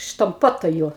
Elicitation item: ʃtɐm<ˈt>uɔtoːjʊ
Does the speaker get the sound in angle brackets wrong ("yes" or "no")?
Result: yes